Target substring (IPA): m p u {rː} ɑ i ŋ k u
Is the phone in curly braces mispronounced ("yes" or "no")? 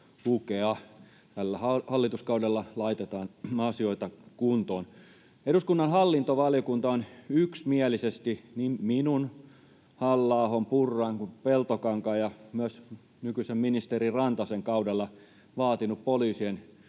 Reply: no